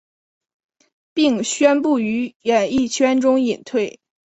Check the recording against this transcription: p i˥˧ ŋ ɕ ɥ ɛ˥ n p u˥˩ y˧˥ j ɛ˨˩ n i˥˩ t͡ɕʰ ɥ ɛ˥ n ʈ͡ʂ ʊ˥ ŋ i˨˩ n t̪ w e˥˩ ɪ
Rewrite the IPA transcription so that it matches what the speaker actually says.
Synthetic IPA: p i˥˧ ŋ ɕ ɥ ɛ˥ n p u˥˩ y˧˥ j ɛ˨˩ n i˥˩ t͡ɕʰ ɥ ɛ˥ n ʈ͡ʂ ʊ˥ ŋ i˨˩ n t̪ʰ w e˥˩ ɪ